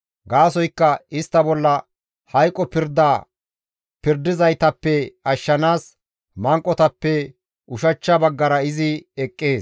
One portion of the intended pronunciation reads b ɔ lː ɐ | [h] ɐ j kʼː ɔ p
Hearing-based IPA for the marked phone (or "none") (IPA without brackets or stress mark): h